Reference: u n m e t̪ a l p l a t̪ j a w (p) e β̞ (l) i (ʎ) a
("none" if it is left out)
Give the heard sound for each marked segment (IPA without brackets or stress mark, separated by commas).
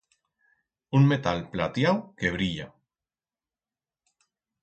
k, ɾ, ʎ